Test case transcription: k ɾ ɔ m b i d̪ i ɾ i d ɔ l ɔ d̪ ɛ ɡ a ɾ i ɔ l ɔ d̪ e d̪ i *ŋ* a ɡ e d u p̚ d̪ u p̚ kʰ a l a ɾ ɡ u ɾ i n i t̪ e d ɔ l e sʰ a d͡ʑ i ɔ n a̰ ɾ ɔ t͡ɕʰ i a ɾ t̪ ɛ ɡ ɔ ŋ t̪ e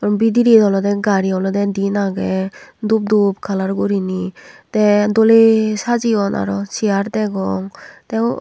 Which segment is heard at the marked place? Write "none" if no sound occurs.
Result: n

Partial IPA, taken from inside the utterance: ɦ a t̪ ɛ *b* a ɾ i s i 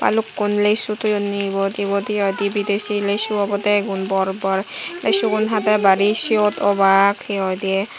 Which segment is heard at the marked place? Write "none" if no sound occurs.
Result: b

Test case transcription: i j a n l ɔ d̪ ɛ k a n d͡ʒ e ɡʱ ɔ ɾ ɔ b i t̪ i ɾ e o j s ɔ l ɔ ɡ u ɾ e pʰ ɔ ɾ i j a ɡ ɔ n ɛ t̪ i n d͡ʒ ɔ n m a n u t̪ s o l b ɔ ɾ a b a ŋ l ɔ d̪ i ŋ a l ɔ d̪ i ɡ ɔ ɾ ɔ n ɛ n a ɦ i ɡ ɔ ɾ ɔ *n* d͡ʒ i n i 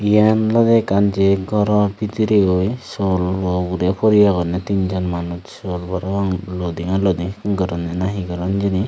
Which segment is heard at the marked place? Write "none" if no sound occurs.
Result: n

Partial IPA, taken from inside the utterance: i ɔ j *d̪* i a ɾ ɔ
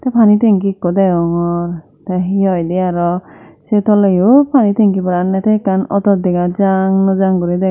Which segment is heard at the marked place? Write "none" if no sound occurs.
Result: d̪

